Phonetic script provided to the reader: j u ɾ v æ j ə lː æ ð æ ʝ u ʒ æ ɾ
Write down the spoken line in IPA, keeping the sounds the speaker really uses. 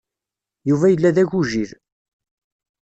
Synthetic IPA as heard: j u v æ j ə lː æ ð æ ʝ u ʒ i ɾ